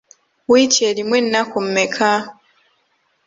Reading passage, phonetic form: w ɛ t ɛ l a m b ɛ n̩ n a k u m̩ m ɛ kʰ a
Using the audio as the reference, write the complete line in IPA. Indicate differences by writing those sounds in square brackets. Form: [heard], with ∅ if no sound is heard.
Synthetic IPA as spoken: w [i] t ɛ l [i] m [w] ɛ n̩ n a k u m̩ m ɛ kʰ a